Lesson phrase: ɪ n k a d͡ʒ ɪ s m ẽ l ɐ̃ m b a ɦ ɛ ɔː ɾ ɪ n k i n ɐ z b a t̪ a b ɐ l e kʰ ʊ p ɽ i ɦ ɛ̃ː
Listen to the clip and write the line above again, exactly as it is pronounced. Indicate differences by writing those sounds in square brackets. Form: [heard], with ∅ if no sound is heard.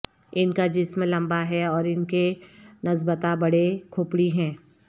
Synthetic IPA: ɪ n k a d͡ʒ ɪ s m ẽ l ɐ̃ m b a ɦ ɛ ɔː ɾ ɪ n k [e] n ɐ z b [ə] t̪ a b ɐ [ɽ] e kʰ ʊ p ɽ i ɦ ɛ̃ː